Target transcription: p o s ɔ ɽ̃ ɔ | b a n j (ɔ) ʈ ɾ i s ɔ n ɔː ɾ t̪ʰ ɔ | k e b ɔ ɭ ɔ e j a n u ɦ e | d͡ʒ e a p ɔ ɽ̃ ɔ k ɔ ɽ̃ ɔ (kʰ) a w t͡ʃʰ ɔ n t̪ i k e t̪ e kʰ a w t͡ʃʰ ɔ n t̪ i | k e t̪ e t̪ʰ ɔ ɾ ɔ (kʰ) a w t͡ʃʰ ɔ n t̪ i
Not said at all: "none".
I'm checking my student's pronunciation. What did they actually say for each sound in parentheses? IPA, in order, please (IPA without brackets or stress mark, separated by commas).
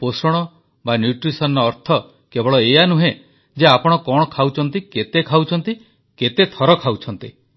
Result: u, kʰ, kʰ